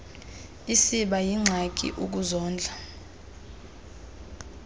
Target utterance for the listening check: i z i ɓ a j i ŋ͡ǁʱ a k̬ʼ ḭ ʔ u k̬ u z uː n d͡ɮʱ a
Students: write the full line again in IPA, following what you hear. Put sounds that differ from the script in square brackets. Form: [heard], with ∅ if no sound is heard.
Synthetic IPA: i [s] i ɓ a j i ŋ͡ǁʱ a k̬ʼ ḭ ʔ u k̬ u z [ɔː] n d͡ɮʱ a